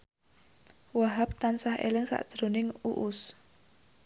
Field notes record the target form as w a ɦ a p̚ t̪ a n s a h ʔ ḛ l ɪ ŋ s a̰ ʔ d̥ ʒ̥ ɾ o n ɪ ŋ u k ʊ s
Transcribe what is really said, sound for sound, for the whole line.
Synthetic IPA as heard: w a ɦ a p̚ t̪ a n s a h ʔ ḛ l ɪ ŋ s a̰ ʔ d̥ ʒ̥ ɾ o n ɪ ŋ u ʔ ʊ s